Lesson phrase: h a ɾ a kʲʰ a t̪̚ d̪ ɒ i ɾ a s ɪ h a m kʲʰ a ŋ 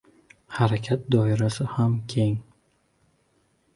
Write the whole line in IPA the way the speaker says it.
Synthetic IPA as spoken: h a ɾ a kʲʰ a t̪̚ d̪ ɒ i ɾ a s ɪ h a m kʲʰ e ŋ